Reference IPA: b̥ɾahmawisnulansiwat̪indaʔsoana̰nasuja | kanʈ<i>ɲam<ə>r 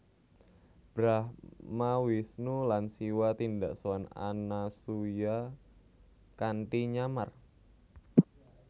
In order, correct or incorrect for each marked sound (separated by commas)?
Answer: correct, incorrect